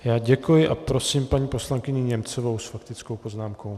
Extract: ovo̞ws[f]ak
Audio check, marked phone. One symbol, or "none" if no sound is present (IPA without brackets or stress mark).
f